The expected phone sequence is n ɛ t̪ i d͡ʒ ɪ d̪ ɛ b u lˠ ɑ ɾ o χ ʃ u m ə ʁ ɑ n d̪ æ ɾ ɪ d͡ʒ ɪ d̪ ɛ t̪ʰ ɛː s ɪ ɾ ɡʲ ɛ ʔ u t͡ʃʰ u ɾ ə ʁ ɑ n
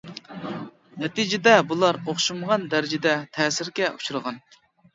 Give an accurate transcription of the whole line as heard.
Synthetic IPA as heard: n ɛ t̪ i d͡ʒ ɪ d̪ ɛ b u lˠ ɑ ɾ o χ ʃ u m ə ʁ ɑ n d̪ æ ɾ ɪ d͡ʒ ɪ d̪ ɛ t̪ʰ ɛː s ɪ ɾ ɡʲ ɛ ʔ u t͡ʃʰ u ɾ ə ʁ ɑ n

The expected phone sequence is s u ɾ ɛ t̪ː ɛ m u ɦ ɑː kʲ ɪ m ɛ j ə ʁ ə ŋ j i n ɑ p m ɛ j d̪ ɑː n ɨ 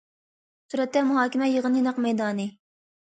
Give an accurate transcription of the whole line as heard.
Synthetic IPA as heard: s u ɾ ɛ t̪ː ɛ m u ɦ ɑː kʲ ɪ m ɛ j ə ʁ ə n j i n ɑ q m ɛ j d̪ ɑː n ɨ

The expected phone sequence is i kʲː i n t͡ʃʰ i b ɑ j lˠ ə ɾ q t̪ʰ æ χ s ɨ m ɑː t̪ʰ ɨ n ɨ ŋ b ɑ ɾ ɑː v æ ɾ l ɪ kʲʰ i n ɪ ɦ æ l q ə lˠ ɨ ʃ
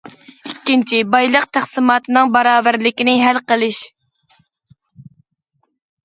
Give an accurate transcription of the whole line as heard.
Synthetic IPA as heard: i kʲː i n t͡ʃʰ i b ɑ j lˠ ə q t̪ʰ æ χ s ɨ m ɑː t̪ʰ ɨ n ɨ ŋ b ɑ ɾ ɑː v æ ɾ l ɪ kʲ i n ɪ ɦ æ l q ə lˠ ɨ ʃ

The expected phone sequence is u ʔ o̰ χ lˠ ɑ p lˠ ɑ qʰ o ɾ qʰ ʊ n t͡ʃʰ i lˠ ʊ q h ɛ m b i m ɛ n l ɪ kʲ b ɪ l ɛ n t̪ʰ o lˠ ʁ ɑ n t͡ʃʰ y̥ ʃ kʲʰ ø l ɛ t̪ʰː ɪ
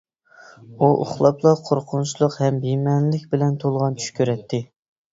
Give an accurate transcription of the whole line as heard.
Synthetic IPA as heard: u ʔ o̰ χ lˠ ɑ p lˠ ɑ qʰ o ɾ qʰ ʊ n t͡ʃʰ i lˠ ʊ q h ɛ m b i m ɛ n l ɪ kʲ b ɪ l ɛ n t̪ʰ o lˠ ʁ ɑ n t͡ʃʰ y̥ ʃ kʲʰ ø ɾ ɛ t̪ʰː ɪ

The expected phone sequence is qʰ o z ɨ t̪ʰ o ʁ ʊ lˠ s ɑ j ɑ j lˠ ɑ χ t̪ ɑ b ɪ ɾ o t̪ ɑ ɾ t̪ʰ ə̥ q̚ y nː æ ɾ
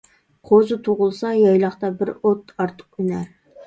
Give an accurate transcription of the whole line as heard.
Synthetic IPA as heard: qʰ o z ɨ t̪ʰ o ʁ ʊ lˠ s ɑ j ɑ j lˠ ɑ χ t̪ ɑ b ɪ ɾ o t̪ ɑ ɾ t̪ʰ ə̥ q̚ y n æ ɾ

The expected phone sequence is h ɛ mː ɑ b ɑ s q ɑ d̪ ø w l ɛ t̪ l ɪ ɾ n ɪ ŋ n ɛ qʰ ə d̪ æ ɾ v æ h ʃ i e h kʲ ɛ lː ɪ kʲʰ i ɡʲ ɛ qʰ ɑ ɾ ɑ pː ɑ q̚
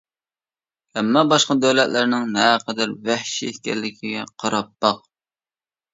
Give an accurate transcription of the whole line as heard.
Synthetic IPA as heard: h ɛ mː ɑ b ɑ ʃ q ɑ d̪ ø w l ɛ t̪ l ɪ ɾ n ɪ ŋ n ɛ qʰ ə d̪ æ ɾ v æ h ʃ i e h kʲ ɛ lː ɪ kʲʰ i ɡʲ ɛ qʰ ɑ ɾ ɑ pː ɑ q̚

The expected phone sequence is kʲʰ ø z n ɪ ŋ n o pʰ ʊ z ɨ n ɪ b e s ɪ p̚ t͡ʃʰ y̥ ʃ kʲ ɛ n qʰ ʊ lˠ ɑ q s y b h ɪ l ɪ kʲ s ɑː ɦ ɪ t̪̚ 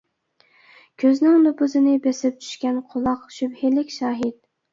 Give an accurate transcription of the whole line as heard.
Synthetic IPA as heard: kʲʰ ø z n ɪ ŋ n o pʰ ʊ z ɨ n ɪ b e s ɪ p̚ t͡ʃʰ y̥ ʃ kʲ ɛ n qʰ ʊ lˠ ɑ q ʃ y b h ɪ l ɪ kʲ ʃ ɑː ɦ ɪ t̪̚

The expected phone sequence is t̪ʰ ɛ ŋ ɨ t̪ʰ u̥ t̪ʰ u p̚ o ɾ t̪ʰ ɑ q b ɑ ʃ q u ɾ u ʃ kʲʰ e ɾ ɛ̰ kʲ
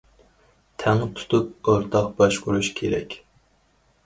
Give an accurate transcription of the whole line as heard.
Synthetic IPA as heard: t̪ʰ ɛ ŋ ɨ t̪ʰ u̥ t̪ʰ u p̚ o ɾ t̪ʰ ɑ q b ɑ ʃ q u ɾ u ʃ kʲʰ e ɾ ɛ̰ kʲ

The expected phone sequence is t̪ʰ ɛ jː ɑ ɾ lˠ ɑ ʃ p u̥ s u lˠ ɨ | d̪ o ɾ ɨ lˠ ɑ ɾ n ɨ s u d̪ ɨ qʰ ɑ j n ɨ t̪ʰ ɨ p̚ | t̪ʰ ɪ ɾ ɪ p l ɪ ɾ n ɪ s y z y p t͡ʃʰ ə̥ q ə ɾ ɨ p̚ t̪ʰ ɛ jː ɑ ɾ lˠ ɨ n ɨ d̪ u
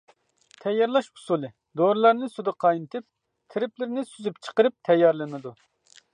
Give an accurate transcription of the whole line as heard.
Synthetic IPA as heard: t̪ʰ ɛ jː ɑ ɾ lˠ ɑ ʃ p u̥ s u lˠ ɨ | d̪ o ɾ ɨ lˠ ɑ ɾ n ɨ s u d̪ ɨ qʰ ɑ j n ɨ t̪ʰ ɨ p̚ | t̪ʰ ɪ ɾ ɪ p l ɪ ɾ n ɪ s y z y p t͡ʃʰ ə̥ q ə ɾ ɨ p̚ t̪ʰ ɛ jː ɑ ɾ lˠ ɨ n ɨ d̪ u

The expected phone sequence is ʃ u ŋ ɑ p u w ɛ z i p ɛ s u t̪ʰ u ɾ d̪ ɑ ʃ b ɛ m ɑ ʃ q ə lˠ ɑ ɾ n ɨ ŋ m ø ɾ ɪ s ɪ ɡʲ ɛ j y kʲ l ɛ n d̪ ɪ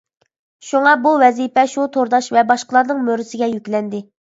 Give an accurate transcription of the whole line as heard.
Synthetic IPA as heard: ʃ u ŋ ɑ b u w ɛ z i p ɛ ʃ u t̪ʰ o ɾ d̪ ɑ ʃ v ɛ b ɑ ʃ q ə lˠ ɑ ɾ n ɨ ŋ m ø ɾ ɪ s ɪ ɡʲ ɛ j y kʲ l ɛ n d̪ ɪ

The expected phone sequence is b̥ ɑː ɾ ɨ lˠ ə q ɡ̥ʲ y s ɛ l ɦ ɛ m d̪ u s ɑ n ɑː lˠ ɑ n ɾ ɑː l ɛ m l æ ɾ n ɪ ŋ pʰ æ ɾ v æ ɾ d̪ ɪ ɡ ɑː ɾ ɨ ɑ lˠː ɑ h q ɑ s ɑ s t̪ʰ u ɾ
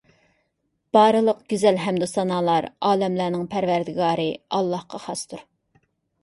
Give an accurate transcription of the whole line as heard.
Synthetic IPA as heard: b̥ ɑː ɾ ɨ lˠ ə q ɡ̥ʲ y z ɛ l ɦ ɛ m d̪ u s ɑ n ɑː lˠ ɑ ɾ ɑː l ɛ m l æ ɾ n ɪ ŋ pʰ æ ɾ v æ ɾ d̪ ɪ ɡ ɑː ɾ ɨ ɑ lˠː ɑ h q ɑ χ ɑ s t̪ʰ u ɾ

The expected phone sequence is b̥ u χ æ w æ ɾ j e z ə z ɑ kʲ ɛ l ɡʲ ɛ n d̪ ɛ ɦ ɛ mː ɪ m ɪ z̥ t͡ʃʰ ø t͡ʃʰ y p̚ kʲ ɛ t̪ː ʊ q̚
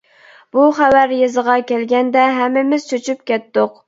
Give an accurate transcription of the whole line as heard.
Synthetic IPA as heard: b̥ u χ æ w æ ɾ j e z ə ʁ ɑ kʲ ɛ l ɡʲ ɛ n d̪ ɛ ɦ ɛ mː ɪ m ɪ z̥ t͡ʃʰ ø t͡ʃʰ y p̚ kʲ ɛ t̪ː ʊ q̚

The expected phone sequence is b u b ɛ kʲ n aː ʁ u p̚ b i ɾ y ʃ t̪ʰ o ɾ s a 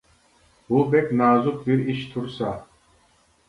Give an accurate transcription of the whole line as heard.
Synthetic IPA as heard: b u b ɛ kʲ n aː z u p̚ b i ɾ i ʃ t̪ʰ u ɾ s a

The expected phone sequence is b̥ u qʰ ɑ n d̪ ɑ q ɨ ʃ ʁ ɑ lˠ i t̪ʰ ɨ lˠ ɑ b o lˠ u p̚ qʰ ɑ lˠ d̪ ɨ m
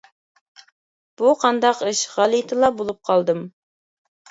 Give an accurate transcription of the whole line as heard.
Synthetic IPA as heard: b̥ u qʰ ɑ n d̪ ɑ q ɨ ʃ ʁ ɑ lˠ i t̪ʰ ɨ lˠ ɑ b o lˠ u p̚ qʰ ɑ lˠ d̪ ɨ m

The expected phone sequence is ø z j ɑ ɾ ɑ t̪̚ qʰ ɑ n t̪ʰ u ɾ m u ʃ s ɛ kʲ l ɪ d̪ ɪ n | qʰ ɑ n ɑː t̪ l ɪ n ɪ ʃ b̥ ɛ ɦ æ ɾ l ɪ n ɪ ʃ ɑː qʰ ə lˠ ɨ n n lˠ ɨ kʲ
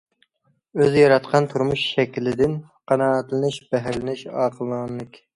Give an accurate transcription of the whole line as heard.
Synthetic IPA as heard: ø z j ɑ ɾ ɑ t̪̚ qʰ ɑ n t̪ʰ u ɾ m u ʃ ʃ ɛ kʲ l ɪ d̪ ɪ n | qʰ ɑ n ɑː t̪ l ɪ n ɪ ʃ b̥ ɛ ɦ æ ɾ l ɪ n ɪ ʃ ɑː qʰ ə lˠ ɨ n n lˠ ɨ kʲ

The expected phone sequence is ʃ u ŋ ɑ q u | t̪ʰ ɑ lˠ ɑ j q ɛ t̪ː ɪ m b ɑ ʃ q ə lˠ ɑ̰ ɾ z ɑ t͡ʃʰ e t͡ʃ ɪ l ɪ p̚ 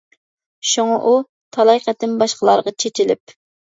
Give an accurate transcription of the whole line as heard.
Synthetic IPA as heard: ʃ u ŋ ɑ ʔ u | t̪ʰ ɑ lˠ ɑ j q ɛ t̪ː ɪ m b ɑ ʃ q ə lˠ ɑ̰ ɾ ʁ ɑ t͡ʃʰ e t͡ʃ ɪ l ɪ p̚

